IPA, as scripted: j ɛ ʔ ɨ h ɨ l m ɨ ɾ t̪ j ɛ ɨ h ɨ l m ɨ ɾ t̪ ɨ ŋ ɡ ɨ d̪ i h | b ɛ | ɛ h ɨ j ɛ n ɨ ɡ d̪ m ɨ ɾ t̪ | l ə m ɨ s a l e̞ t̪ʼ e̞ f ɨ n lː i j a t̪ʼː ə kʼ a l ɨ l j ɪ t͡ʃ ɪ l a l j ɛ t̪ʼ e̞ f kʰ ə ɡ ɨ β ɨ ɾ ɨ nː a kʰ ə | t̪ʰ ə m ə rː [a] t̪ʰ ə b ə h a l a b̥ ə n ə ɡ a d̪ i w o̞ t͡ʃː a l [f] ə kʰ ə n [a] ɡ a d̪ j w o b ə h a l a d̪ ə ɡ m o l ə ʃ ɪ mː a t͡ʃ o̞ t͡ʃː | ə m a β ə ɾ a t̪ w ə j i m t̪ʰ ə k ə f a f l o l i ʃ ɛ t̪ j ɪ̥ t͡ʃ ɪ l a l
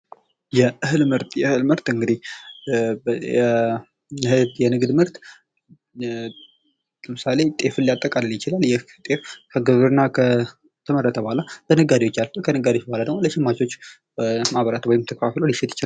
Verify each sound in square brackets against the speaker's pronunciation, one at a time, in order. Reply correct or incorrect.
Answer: incorrect, correct, incorrect

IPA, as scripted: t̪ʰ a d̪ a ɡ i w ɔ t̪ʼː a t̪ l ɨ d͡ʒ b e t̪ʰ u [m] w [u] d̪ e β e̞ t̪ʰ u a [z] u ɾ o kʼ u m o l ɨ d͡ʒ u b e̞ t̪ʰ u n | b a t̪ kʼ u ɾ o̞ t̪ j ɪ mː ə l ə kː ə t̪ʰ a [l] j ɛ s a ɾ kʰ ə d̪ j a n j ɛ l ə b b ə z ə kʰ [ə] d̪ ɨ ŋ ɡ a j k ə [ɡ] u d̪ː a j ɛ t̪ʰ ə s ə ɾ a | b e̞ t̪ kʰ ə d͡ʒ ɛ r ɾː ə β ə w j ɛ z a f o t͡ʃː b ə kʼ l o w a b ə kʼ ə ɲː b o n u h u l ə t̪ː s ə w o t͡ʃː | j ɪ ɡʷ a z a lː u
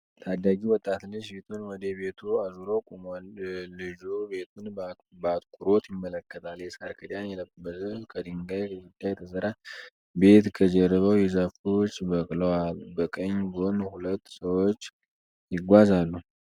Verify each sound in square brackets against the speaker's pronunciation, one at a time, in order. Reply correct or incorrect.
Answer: incorrect, incorrect, correct, correct, correct, correct

